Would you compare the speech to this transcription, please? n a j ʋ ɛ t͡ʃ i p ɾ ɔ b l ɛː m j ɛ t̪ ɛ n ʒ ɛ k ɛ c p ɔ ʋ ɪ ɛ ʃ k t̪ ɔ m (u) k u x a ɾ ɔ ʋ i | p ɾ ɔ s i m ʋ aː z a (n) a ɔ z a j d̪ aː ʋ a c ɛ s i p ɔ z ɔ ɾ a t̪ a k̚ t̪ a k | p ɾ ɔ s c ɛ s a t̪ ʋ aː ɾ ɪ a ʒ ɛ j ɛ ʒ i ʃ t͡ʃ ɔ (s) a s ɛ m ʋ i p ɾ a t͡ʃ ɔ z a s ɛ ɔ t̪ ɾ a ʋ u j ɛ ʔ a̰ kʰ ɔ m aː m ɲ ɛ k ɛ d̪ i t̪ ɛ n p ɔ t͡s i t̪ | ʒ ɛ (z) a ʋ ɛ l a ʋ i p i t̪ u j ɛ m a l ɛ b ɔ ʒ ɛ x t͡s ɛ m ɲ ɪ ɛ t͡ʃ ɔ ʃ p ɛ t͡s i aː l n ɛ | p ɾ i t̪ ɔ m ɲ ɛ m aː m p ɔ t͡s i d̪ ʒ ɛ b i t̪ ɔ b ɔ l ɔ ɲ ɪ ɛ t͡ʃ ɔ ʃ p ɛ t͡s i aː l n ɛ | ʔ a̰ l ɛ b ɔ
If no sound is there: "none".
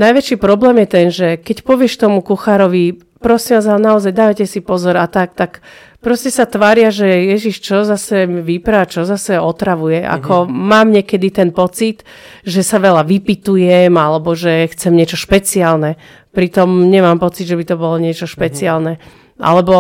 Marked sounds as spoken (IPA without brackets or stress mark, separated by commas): u, n, z, s